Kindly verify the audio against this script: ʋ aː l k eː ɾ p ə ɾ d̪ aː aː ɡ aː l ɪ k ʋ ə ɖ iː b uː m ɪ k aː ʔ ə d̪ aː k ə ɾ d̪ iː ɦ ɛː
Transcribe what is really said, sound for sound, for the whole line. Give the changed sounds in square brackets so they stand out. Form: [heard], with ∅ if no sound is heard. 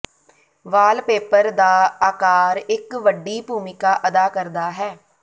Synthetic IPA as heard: ʋ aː l [p] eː [∅] p ə ɾ d̪ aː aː [k] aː [ɾ] ɪ k ʋ ə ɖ iː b uː m ɪ k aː ʔ ə d̪ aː k ə ɾ d̪ [aː] ɦ ɛː